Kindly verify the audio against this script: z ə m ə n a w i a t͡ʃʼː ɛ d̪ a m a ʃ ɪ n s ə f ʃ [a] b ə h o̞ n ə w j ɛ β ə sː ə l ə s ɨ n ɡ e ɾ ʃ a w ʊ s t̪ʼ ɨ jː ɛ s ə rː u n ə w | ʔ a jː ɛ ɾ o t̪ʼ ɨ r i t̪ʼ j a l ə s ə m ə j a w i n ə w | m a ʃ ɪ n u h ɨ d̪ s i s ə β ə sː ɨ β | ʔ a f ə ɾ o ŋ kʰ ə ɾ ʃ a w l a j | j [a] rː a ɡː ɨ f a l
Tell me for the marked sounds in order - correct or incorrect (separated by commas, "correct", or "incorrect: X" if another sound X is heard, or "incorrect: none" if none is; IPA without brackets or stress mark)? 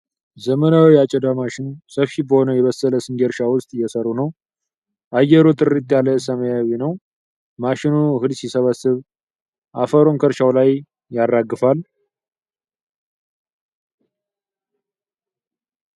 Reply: incorrect: i, correct